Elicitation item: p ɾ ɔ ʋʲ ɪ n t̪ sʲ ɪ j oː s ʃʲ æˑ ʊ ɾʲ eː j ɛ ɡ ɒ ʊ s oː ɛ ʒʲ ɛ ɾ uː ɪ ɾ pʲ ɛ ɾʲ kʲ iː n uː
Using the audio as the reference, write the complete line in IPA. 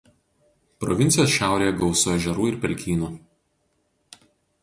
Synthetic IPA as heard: p ɾ ɔ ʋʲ ɪ n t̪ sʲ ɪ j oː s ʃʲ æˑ ʊ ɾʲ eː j ɛ ɡ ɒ ʊ s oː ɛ ʒʲ ɛ ɾ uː ɪ ɾ pʲ ɛ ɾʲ kʲ iː n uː